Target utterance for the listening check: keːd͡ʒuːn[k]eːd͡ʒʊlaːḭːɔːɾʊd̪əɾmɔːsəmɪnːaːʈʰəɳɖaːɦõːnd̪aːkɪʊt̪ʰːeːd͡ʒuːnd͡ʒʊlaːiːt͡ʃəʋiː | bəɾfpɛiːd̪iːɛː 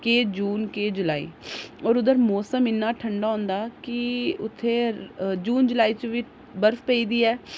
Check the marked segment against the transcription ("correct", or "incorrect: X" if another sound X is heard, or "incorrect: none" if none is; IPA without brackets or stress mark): correct